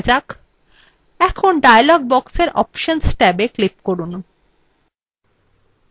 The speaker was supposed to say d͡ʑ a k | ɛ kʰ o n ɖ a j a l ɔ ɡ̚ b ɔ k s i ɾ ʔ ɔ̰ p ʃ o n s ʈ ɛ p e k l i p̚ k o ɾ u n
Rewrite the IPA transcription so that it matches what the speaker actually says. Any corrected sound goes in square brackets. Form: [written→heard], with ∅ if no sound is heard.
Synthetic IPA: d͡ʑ a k | ɛ kʰ o n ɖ a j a l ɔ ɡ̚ b ɔ k s [i→e] ɾ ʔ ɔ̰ p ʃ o n s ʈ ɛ [p→b] e k l i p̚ k o ɾ u n